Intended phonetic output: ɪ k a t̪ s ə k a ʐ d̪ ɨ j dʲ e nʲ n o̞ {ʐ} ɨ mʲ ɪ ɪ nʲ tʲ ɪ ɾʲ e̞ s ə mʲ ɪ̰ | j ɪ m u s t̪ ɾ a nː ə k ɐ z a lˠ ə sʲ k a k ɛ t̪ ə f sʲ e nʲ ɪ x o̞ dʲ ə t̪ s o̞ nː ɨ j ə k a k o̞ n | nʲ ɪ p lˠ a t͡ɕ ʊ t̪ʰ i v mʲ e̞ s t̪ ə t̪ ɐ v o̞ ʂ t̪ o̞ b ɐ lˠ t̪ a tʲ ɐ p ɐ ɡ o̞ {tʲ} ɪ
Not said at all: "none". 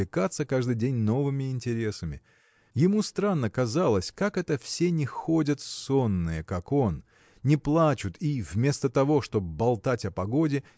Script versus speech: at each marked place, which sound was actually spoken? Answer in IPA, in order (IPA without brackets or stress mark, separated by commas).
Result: v, dʲ